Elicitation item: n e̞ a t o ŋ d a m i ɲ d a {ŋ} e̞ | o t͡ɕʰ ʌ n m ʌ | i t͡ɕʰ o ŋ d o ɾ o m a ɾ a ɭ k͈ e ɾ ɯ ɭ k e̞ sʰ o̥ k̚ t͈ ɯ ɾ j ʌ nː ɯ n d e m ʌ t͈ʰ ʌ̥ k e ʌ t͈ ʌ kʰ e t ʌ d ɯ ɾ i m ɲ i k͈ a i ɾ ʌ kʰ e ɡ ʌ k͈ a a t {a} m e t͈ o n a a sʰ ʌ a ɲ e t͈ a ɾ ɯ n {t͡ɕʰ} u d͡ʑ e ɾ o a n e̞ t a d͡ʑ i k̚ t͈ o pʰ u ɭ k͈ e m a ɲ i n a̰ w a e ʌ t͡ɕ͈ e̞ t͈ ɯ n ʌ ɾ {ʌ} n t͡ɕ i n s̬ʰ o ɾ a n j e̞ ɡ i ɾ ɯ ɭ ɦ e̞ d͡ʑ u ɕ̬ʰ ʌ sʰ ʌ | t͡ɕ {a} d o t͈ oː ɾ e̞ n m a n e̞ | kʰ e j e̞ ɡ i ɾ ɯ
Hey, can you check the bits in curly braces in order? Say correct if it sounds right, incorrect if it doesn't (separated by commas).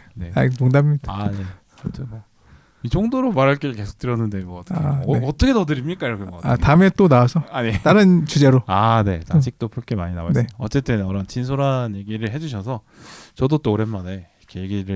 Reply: incorrect, correct, incorrect, correct, incorrect